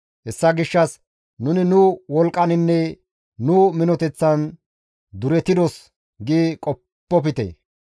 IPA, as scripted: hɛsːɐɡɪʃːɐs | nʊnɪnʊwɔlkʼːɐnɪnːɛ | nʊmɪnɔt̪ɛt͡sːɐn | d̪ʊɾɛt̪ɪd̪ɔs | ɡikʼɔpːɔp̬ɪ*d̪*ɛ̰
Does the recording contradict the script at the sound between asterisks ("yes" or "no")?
yes